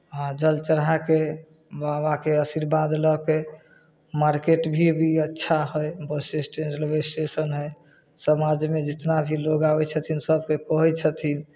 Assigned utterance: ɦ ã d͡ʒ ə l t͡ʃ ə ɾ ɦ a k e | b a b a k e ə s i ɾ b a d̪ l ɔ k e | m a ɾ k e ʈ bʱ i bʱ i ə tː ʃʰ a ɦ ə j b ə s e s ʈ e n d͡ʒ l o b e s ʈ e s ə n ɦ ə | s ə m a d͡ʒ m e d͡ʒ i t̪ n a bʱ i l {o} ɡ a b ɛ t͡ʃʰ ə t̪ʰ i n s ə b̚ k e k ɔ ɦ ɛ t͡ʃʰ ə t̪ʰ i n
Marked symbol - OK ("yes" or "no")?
yes